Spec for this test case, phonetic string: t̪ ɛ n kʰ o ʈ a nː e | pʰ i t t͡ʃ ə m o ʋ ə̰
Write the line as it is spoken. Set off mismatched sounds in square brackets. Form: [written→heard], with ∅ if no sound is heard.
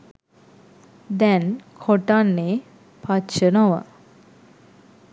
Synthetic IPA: [t̪→d̪] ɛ n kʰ o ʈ a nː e | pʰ [i→a] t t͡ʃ ə [m→n] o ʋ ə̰

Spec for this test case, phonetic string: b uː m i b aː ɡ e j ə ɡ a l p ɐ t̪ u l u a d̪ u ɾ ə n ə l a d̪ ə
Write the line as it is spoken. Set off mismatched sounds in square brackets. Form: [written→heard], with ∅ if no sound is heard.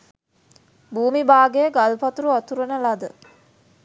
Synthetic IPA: b uː m i b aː ɡ e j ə ɡ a l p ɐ t̪ u [l→ɾ] u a [d̪→t̪] u ɾ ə n ə l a d̪ ə

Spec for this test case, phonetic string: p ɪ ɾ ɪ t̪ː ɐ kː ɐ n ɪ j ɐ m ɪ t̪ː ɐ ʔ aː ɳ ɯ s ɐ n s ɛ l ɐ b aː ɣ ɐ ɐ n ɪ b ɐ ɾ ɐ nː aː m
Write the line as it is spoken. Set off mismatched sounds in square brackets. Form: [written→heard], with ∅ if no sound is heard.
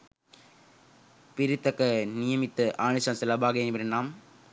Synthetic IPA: p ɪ ɾ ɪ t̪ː ɐ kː ɐ n ɪ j ɐ m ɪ t̪ː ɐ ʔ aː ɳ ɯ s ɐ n s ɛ l ɐ b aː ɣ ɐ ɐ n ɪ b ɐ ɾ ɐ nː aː m

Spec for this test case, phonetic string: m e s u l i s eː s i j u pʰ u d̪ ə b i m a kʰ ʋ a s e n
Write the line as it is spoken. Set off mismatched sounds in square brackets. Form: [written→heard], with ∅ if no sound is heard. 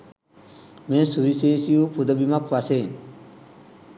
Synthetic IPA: m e s u [l→ɾ] i s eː s i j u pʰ u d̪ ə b i m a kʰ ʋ a s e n

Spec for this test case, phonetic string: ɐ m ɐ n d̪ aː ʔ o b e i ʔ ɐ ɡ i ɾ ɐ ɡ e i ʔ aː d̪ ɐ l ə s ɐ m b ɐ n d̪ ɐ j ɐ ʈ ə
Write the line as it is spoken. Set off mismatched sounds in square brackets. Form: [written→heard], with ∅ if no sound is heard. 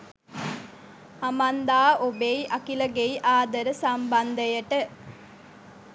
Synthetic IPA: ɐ m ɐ n d̪ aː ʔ o b e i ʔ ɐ [ɡ→k] i [ɾ→l] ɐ ɡ e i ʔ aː d̪ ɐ [l→ɾ] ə s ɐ m b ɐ n d̪ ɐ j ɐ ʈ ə

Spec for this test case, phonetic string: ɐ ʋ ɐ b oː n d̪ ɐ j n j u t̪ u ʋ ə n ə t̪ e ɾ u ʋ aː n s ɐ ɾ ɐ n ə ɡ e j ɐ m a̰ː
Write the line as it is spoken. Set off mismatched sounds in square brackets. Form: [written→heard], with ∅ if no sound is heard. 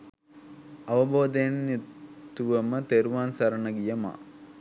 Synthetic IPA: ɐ ʋ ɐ b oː [n→∅] d̪ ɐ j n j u t̪ u ʋ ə [n→m] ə t̪ e ɾ u ʋ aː n s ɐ ɾ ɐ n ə ɡ [e→i] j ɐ m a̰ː

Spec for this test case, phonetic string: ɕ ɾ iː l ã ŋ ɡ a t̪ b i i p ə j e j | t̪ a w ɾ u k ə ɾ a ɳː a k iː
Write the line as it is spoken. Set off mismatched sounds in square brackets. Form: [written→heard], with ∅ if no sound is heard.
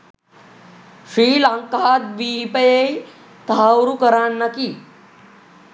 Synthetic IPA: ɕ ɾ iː l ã ŋ [ɡ→k] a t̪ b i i p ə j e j | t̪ a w ɾ u k ə ɾ a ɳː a k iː

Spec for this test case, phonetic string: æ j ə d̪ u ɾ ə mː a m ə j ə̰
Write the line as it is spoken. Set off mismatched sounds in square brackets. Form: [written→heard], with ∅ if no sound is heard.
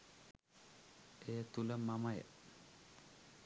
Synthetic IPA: [æ→e] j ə [d̪→t̪] u [ɾ→l] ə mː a m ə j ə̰

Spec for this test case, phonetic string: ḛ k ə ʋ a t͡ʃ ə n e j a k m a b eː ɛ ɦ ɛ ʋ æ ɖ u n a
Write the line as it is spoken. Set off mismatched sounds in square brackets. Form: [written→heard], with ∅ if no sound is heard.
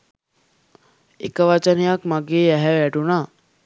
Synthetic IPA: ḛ k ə ʋ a t͡ʃ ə n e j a k m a [b→ɡ] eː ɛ ɦ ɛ ʋ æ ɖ u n a

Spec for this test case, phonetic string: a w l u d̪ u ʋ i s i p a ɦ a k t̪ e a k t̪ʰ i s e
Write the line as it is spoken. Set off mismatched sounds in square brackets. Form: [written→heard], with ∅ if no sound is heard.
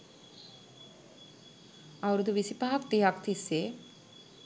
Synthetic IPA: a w [l→ɾ] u d̪ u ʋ i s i p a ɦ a k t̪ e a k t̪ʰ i s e

